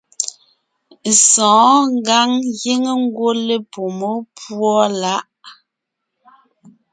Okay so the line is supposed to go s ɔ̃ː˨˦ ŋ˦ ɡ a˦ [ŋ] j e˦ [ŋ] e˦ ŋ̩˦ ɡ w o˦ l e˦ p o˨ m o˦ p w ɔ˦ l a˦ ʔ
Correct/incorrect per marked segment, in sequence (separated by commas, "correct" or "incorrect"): correct, correct